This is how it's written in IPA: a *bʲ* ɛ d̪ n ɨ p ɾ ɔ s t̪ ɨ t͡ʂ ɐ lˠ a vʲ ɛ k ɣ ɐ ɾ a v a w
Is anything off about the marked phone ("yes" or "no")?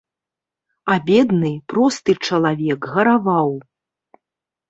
no